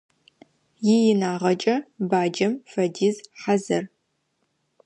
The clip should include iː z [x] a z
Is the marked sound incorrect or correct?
incorrect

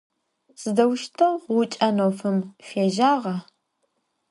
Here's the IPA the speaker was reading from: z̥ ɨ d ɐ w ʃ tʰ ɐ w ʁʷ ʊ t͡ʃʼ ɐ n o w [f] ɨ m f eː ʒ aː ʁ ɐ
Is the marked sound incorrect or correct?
correct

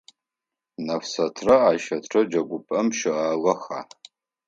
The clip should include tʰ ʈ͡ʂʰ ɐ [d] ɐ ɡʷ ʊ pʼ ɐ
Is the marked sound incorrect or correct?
incorrect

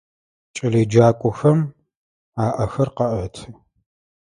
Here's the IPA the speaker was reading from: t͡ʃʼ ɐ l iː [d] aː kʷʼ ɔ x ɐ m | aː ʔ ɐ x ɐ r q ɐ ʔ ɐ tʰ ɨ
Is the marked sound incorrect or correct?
incorrect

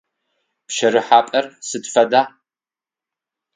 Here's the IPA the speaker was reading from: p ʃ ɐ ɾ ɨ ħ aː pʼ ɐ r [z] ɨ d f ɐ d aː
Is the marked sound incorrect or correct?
incorrect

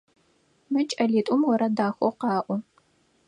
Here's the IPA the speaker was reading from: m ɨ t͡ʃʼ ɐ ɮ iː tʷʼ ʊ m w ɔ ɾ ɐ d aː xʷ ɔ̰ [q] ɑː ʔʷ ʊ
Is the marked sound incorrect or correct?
correct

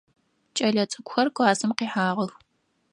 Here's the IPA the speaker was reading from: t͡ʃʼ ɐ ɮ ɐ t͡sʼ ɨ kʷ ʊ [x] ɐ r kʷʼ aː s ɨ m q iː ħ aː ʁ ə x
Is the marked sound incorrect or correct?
correct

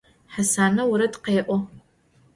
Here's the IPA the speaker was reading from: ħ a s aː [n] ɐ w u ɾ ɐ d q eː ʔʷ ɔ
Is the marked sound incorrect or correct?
correct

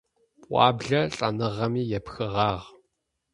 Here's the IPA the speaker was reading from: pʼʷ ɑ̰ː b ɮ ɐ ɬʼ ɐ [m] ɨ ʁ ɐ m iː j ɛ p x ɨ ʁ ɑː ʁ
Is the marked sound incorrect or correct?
incorrect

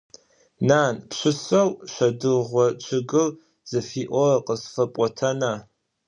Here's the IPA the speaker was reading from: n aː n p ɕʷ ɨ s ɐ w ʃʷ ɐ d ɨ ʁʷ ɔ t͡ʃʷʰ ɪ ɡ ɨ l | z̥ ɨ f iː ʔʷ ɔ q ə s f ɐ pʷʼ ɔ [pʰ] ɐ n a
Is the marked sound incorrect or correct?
incorrect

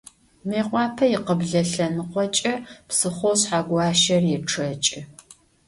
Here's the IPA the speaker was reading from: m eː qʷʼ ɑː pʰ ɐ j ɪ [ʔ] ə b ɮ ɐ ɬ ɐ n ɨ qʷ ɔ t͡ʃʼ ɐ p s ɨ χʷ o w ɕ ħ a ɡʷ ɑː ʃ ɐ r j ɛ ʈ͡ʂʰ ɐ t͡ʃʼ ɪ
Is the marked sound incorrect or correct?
incorrect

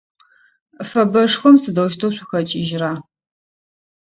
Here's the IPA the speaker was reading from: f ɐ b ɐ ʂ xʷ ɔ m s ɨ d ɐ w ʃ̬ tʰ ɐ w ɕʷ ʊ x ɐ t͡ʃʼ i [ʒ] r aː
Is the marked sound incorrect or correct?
correct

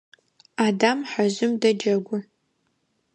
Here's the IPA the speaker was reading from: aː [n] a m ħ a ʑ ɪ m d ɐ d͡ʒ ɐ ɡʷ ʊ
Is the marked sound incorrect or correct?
incorrect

